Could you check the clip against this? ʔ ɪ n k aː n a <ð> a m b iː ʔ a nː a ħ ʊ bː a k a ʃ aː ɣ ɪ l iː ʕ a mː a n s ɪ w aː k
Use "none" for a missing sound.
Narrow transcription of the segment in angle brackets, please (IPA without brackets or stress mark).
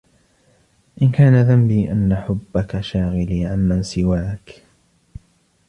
ð